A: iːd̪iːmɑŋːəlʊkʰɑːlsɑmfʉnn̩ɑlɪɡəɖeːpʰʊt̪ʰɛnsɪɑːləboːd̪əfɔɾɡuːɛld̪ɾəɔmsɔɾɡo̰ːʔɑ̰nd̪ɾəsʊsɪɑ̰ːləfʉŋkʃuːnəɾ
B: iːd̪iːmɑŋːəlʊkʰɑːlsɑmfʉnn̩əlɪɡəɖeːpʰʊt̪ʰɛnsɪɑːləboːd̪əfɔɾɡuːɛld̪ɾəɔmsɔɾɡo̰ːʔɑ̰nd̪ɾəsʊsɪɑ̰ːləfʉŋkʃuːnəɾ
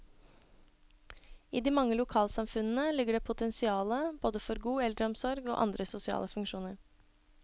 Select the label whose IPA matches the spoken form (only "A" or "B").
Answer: B